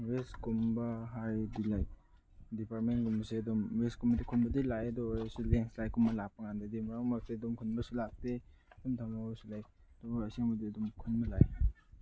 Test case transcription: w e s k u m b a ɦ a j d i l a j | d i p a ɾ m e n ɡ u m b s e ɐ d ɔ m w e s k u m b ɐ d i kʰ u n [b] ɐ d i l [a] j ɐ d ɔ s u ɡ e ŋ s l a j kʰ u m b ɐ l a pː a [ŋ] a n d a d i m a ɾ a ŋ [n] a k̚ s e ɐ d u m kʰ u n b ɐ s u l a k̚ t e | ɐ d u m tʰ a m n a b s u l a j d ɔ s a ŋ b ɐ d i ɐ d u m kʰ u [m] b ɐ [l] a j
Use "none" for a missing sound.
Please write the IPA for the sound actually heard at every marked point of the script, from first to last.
b, a, ŋ, m, n, l

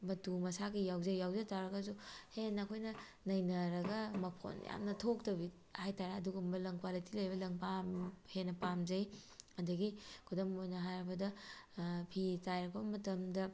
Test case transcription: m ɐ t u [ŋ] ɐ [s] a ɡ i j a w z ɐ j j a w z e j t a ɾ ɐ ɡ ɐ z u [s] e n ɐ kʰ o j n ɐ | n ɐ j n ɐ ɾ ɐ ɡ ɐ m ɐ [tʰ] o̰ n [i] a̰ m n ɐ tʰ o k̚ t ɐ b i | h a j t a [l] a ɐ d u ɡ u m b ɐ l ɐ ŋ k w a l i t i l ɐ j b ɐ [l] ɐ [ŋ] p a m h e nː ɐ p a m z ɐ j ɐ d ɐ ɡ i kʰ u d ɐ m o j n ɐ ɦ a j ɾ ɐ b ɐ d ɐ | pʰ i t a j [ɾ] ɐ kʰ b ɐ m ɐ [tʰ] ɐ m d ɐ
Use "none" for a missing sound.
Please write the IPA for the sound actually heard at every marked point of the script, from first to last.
m, s, h, pʰ, j, ɾ, l, ŋ, ɾ, t

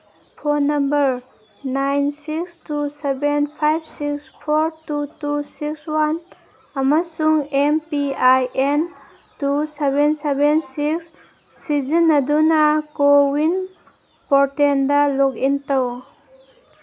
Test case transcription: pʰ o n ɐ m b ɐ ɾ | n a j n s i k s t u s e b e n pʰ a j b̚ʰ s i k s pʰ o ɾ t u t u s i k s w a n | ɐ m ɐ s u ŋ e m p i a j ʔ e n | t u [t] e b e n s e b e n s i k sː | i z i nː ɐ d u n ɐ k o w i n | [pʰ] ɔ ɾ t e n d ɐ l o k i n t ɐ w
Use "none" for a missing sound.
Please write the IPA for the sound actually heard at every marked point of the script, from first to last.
s, p

